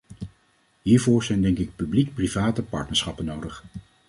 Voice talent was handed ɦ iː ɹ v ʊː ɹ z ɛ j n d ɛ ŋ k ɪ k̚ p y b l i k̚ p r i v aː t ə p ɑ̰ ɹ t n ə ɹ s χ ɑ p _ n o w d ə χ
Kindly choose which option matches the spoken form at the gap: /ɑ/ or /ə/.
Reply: ə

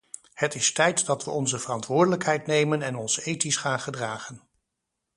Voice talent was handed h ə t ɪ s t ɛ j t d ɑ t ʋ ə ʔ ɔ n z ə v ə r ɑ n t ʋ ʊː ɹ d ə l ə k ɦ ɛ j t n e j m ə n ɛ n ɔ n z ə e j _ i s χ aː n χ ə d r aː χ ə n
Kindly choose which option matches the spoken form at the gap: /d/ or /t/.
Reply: t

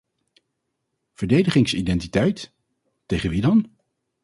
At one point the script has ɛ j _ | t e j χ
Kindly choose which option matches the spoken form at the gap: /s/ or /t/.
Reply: t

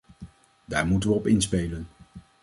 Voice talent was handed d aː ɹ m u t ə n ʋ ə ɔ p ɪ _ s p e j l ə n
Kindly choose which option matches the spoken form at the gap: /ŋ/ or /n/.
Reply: n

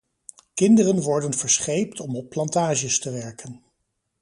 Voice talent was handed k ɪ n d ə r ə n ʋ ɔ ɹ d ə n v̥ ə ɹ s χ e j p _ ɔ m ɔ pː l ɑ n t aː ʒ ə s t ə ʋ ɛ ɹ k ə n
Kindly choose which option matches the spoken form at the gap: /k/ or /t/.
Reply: t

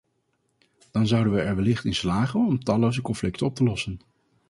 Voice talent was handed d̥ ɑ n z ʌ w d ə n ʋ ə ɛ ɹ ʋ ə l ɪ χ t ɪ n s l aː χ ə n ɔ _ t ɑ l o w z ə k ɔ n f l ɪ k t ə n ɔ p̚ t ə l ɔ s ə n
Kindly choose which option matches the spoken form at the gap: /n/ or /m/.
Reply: m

